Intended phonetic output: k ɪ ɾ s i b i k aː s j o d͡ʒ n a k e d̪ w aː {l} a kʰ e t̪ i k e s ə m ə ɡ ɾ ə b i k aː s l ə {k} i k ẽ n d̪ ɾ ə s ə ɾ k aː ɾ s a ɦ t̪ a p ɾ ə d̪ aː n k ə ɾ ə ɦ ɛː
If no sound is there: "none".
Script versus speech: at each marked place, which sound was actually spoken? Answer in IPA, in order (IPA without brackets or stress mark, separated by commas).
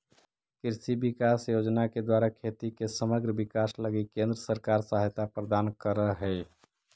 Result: ɾ, ɡ